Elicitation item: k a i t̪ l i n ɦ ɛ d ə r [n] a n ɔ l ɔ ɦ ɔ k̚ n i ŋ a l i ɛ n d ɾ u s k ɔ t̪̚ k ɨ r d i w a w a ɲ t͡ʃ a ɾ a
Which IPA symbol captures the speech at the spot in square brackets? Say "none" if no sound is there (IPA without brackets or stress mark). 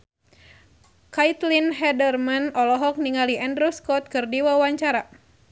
m